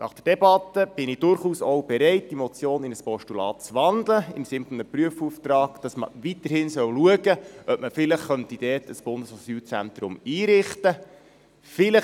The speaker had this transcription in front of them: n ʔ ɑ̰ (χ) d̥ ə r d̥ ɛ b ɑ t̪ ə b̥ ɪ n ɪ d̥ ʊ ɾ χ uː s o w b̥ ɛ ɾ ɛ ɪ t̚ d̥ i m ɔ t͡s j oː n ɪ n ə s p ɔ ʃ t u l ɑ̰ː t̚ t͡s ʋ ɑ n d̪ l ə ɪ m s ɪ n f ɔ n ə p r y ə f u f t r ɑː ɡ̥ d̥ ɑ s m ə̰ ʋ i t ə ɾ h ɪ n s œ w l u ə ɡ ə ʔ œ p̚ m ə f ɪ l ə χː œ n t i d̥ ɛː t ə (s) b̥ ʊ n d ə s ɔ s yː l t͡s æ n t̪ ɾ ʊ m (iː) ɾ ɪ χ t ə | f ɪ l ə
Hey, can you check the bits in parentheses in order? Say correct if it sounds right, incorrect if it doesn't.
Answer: correct, correct, correct

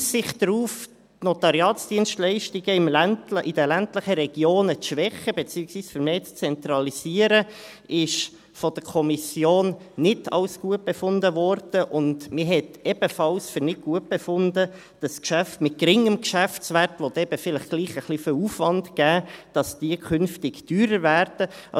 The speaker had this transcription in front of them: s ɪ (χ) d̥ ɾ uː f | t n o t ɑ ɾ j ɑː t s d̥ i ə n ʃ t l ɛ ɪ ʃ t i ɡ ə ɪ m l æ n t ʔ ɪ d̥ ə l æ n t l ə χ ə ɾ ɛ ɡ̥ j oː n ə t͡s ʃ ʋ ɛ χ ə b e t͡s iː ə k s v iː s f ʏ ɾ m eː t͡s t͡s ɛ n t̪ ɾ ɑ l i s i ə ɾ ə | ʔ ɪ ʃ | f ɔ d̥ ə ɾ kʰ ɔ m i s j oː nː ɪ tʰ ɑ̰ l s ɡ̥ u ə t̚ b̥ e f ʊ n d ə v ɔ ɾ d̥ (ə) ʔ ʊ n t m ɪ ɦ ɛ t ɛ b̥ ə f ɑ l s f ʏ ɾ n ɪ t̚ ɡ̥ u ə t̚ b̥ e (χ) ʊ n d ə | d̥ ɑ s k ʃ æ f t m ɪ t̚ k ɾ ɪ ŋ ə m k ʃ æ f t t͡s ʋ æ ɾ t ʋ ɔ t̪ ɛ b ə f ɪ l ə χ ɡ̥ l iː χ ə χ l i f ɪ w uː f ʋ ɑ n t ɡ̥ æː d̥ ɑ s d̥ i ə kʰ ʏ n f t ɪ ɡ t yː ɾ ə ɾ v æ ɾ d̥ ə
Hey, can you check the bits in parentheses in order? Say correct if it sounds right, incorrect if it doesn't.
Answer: correct, correct, incorrect: f

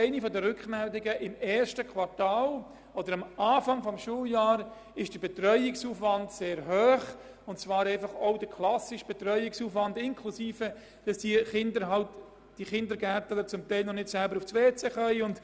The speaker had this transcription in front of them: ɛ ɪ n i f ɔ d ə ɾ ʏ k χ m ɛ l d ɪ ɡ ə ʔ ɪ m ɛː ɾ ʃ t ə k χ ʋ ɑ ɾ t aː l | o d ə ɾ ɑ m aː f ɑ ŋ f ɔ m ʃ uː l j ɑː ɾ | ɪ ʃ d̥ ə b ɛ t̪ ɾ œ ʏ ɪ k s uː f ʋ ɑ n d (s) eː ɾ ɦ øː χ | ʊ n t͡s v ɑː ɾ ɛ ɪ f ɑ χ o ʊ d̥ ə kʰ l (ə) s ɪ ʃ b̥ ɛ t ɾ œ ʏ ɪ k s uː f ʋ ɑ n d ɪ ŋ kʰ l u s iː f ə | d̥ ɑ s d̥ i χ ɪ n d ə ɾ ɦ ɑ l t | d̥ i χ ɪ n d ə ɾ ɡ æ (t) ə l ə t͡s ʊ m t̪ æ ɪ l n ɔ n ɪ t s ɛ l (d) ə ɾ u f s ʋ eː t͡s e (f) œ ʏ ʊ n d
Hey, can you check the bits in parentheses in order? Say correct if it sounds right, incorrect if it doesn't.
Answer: correct, incorrect: ɑ, correct, incorrect: b, incorrect: χ

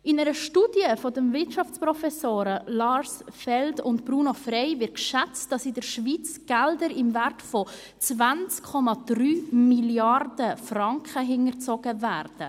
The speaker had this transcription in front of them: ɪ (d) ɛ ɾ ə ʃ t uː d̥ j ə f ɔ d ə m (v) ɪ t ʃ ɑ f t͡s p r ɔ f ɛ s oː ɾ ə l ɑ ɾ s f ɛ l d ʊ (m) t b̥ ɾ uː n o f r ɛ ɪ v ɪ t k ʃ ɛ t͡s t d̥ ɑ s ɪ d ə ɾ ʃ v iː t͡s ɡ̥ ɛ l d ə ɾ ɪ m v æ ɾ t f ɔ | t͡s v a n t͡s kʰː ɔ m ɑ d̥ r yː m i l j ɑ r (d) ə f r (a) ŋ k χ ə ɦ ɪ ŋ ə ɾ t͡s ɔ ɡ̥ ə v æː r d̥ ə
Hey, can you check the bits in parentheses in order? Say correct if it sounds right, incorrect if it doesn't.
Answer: incorrect: n, correct, incorrect: n, correct, incorrect: ɑ

